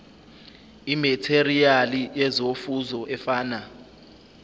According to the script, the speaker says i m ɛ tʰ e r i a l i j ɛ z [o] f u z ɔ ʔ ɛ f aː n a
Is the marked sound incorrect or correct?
correct